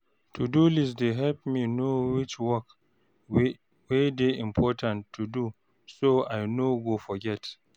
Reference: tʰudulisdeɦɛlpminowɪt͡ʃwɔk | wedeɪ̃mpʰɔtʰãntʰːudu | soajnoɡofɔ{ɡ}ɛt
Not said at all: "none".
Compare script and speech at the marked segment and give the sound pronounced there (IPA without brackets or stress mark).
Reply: ɡ